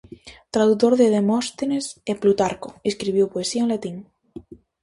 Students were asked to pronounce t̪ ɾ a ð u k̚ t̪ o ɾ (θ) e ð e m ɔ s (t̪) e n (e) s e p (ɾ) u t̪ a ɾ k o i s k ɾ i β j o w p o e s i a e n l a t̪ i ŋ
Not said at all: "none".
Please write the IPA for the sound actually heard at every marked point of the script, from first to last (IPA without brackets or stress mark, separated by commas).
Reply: ð, t̪, e, l